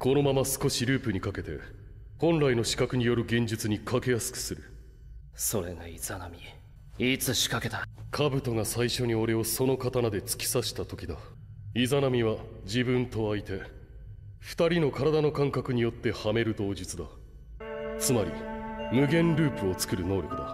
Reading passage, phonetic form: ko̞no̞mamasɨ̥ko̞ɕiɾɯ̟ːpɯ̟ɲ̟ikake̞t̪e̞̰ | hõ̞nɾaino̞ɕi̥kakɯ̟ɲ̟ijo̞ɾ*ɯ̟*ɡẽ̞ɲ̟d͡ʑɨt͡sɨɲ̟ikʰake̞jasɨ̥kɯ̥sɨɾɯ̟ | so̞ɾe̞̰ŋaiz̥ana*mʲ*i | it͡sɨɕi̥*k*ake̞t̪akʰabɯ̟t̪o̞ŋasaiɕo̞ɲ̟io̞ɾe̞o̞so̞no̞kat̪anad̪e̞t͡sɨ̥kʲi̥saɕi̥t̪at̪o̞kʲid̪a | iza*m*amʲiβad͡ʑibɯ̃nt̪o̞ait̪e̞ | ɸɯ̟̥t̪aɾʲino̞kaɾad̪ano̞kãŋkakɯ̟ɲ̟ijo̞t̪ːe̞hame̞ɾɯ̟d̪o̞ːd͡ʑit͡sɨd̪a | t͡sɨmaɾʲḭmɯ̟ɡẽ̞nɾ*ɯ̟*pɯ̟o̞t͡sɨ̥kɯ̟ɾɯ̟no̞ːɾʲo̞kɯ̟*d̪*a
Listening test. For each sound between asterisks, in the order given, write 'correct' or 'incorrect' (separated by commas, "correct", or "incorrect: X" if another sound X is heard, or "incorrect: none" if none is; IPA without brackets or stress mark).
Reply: correct, correct, correct, incorrect: n, incorrect: ɯ̟ː, correct